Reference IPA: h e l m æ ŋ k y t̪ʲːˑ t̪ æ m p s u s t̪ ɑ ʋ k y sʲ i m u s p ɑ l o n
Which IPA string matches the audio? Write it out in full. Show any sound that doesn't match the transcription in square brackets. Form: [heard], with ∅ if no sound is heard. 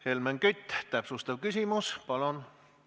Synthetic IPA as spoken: h e l m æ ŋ k y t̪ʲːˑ t̪ æ [∅] p s u s t̪ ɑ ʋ k y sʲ i m u s p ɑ l o n